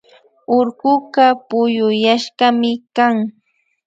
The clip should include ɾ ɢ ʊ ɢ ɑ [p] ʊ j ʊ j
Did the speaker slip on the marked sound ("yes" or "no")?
no